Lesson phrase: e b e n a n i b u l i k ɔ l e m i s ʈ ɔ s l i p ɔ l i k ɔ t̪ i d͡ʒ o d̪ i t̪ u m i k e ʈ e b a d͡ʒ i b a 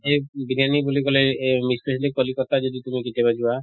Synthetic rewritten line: e b i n a n i b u l i k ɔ l e m i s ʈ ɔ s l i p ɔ l i k ɔ t̪ a d͡ʒ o d̪ i t̪ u m i k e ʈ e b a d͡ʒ i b a